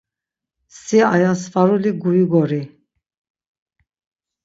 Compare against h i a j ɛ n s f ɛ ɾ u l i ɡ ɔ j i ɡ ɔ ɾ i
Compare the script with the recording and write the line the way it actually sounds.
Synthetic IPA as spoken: s i a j a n s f a ɾ u l i ɡ u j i ɡ ɔ ɾ i